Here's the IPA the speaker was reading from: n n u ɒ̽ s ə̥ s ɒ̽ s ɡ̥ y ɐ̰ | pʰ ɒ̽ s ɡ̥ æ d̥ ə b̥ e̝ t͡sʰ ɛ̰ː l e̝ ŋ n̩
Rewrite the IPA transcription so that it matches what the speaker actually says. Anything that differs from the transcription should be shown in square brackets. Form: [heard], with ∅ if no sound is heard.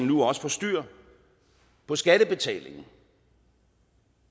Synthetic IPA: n n u ɒ̽ s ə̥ [f] ɒ̽ s [d̥] y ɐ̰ | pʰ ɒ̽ s ɡ̥ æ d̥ ə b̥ e̝ t͡sʰ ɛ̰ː l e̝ ŋ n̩